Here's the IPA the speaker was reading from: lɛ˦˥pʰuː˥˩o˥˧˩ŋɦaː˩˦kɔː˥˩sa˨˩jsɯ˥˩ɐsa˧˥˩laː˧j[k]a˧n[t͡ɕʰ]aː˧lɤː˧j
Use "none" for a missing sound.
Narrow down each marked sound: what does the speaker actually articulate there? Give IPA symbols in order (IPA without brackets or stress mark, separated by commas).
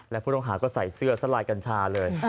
k, t͡ɕʰ